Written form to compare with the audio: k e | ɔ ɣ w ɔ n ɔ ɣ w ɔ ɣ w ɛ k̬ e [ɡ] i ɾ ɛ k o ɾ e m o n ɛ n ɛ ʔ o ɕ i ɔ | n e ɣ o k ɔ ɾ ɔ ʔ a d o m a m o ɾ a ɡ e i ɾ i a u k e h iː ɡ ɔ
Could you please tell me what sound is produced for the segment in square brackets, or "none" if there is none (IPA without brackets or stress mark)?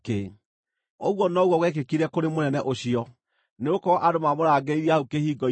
k